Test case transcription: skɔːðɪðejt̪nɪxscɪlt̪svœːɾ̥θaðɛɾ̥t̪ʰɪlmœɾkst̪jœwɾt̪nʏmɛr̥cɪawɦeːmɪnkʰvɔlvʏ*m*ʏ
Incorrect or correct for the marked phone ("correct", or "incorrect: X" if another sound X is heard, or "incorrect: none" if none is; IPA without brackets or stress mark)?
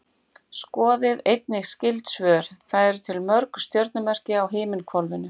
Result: incorrect: n